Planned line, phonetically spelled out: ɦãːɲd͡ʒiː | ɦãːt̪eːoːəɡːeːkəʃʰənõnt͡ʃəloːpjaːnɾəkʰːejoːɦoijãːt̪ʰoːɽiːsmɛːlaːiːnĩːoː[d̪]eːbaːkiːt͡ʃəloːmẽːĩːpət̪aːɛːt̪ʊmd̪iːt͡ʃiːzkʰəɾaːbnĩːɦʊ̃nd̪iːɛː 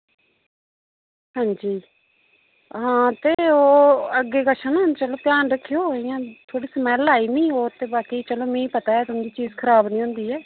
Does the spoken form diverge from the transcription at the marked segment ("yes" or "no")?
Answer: yes